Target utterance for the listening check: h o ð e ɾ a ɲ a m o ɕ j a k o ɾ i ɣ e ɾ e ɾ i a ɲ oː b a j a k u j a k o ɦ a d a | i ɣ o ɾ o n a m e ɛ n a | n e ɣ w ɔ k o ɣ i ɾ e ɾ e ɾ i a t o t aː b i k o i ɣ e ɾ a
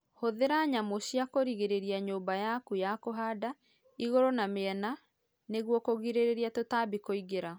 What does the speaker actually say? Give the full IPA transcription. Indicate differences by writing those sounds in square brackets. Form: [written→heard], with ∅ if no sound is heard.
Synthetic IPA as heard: h o ð e ɾ a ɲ a m o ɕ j a k o ɾ i ɣ e ɾ e ɾ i a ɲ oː b a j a k u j a k o ɦ a d a | i ɣ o ɾ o n a m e ɛ n a | n e ɣ w ɔ k o ɣ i ɾ e ɾ e ɾ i a t o t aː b i k o i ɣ e ɾ a

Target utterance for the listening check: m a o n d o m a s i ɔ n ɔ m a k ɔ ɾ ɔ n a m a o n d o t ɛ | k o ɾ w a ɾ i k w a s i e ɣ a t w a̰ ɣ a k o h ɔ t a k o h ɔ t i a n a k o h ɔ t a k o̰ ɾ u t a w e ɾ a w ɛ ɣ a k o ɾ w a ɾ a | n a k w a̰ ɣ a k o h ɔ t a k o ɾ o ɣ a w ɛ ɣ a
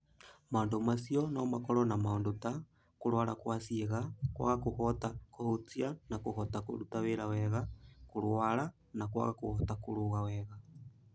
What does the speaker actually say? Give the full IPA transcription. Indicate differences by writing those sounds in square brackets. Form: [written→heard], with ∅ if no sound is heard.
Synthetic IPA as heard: m a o n d o m a s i ɔ n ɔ m a k ɔ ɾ ɔ n a m a o n d o t [ɛ→a] | k o ɾ w a ɾ [i→a] k w a s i e ɣ a [t→k] w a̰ ɣ a k o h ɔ t a k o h [ɔ→o] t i a n a k o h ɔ t a k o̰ ɾ u t a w e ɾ a w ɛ ɣ a k o ɾ w a ɾ a | n a k w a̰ ɣ a k o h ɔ t a k o ɾ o ɣ a w ɛ ɣ a

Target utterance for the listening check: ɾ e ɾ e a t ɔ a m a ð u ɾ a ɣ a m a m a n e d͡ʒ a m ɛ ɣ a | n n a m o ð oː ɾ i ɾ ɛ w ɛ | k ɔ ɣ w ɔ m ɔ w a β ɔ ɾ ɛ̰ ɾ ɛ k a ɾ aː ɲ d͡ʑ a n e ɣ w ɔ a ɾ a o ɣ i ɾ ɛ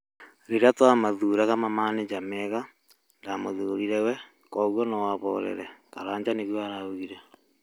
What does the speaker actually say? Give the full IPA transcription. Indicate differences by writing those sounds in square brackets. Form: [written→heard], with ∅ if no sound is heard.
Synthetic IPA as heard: ɾ e ɾ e a t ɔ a m a ð u ɾ a ɣ a m a m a n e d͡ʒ a m ɛ ɣ a | n [n→d] a m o ð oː ɾ i ɾ ɛ w ɛ | k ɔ ɣ w ɔ [m→n] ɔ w a β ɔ ɾ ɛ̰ ɾ ɛ k a ɾ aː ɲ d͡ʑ a n e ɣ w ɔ a ɾ a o ɣ i ɾ ɛ

